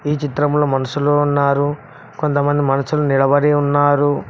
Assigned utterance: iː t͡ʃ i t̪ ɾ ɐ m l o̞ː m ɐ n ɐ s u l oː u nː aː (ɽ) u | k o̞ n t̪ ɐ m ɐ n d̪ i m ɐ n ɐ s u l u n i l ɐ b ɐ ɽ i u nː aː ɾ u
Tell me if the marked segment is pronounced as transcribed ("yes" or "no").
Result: no